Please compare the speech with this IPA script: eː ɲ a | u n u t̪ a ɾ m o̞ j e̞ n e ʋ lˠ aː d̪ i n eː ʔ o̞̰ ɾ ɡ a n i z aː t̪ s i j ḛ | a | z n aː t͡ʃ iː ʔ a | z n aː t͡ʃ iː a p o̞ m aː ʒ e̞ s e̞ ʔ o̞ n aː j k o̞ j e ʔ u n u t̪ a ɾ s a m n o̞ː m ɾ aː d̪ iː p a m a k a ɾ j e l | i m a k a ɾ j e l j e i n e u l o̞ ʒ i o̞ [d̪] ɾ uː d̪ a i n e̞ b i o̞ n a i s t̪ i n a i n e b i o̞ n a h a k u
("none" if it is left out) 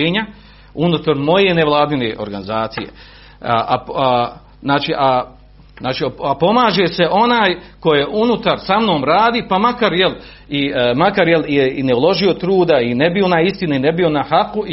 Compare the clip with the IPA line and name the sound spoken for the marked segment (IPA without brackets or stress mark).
t̪